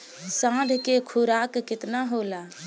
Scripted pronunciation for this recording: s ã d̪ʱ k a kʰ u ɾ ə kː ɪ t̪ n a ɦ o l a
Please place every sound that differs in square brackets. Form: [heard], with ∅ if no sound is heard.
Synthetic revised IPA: s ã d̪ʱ k [e] kʰ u ɾ [a] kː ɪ t̪ n a ɦ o l a